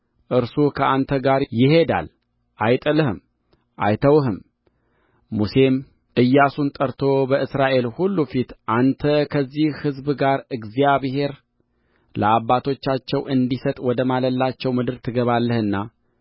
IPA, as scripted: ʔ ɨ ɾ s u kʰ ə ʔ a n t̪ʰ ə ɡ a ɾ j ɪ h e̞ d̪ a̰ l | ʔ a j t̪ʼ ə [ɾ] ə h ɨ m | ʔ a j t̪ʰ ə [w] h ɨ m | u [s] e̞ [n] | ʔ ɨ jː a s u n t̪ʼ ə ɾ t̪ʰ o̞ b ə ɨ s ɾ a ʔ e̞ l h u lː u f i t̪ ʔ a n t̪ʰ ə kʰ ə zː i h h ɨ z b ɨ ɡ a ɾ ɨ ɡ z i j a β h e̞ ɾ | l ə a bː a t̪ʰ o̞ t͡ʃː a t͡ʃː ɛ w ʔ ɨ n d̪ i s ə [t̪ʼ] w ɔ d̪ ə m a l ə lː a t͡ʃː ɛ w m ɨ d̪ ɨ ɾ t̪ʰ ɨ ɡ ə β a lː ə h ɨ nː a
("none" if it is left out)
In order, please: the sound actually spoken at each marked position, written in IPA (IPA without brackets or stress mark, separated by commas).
l, w, s, m, t̪ʼ